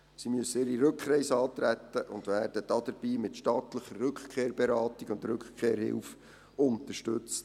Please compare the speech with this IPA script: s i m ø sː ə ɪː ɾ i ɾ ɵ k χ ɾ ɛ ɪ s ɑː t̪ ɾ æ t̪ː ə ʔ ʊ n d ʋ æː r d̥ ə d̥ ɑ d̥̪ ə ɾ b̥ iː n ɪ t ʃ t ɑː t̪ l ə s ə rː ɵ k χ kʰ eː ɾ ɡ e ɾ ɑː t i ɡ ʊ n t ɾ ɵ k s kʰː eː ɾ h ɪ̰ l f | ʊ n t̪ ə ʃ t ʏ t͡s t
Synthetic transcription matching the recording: s i m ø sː ə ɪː ɾ i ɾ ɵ k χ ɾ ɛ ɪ s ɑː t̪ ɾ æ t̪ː ə ʔ ʊ n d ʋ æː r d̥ ə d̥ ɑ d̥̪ ə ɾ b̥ iː m ɪ t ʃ t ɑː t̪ l ə χ ə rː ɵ k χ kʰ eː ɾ b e ɾ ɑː t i ɡ ʊ n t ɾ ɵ k χ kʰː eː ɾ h ɪ̰ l f | ʊ n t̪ ə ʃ t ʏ t͡s t